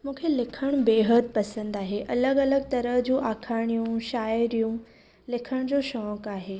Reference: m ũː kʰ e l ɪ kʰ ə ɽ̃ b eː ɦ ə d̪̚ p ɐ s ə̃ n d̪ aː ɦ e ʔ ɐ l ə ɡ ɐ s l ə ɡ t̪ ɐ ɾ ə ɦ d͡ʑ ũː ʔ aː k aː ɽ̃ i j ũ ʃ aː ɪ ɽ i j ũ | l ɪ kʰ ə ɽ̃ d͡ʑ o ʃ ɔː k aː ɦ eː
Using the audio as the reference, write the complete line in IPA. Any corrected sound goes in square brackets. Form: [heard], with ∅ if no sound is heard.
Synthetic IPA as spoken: m ũː kʰ e l ɪ kʰ ə ɽ̃ b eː ɦ ə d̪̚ p ɐ s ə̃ n d̪ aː ɦ e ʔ ɐ l ə ɡ ɐ [∅] l ə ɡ t̪ ɐ ɾ ə ɦ d͡ʑ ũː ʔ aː [kʰ] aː ɽ̃ i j ũ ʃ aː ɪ [ɾ] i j ũ | l ɪ kʰ ə ɽ̃ d͡ʑ o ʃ ɔː k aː ɦ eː